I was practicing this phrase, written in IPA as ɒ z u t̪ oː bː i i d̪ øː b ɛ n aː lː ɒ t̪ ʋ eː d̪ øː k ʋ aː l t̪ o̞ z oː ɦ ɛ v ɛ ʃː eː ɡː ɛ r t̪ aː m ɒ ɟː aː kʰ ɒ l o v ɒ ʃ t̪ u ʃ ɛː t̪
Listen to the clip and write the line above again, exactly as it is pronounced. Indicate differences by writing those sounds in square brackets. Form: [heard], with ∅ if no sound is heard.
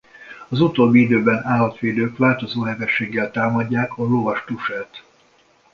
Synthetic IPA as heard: ɒ z u t̪ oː bː i i d̪ øː b ɛ n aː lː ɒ t̪ ʋ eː d̪ øː k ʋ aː l t̪ o̞ z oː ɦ ɛ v ɛ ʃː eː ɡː ɛ [l] t̪ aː m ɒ ɟː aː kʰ ɒ l o v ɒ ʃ t̪ u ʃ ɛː t̪